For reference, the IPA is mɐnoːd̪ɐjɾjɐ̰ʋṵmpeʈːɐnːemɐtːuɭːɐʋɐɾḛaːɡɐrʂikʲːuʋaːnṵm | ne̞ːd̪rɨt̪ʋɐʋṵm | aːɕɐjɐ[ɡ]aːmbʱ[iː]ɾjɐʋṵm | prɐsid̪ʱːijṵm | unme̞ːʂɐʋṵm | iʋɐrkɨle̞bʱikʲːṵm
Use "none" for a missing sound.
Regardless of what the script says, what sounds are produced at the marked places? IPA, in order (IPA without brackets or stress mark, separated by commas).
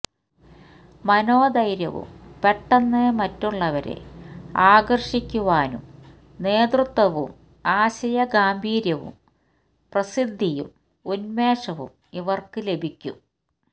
ɡ, iː